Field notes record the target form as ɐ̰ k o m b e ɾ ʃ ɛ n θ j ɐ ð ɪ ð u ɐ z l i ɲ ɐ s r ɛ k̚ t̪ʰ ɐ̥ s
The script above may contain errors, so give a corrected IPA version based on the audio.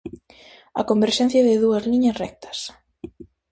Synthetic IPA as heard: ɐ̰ k o m b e ɾ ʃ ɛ n θ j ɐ ð ɪ ð u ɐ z l i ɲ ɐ s r ɛ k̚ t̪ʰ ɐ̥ s